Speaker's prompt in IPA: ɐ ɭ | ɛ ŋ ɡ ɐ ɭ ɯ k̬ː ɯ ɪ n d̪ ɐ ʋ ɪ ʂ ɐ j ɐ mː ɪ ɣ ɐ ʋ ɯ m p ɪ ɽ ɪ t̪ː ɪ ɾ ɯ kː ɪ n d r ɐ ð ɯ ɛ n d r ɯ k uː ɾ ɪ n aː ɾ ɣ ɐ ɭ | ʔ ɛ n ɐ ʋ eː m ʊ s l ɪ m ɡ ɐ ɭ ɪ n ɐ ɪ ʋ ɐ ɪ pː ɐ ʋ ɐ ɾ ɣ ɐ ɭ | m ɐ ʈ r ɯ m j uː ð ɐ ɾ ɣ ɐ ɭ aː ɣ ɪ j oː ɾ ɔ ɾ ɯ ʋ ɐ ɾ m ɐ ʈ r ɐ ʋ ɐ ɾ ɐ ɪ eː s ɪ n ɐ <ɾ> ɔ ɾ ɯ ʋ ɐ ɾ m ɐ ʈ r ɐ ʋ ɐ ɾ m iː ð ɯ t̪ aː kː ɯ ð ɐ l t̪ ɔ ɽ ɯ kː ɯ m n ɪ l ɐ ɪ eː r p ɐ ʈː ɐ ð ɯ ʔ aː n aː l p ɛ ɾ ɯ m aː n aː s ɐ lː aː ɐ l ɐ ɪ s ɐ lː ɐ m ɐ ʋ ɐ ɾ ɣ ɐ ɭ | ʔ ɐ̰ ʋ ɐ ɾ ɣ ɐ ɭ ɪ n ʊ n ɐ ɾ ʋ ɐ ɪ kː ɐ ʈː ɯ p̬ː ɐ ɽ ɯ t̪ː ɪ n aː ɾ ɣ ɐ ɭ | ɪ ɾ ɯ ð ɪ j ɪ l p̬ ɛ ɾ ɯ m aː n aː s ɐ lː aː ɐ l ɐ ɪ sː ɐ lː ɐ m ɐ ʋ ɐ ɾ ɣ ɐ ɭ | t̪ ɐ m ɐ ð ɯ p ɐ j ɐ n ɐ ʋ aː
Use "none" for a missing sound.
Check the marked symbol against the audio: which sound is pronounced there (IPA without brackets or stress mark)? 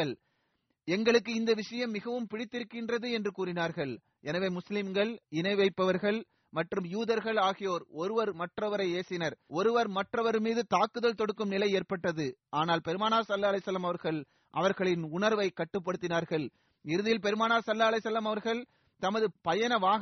ɾ